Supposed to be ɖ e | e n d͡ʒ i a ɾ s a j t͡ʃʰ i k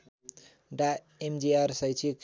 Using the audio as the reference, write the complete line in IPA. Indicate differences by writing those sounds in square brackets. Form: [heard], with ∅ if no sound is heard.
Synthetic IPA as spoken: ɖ [a] | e [m] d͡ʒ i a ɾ s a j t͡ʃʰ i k

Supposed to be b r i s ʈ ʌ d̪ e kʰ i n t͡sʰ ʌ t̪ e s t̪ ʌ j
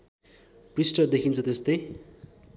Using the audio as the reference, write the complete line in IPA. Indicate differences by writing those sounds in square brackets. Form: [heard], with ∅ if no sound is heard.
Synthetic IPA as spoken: [p] r i s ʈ ʌ d̪ e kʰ i n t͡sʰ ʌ t̪ e s t̪ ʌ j

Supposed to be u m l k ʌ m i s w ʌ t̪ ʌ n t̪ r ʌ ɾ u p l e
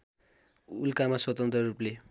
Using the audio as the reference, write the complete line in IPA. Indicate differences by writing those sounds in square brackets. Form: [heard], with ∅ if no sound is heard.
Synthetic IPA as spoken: u [∅] l k [a] m [a] s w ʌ t̪ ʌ n t̪ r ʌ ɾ u p l e

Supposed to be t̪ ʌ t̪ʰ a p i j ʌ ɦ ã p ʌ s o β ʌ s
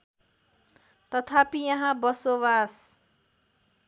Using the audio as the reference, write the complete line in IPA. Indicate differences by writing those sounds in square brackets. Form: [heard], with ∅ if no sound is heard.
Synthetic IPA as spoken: t̪ ʌ t̪ʰ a p i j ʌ ɦ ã [b] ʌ s o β [a] s

